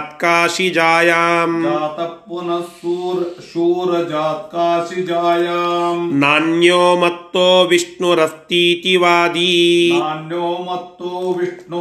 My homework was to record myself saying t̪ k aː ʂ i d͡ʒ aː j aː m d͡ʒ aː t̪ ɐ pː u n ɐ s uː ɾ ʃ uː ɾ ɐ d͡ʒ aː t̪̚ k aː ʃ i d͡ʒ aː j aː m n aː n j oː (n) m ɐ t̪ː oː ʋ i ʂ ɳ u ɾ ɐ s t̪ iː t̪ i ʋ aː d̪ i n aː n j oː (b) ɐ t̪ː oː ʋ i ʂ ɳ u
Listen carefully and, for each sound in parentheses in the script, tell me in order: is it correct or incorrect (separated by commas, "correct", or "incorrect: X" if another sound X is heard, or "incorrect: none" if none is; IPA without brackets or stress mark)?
incorrect: none, incorrect: m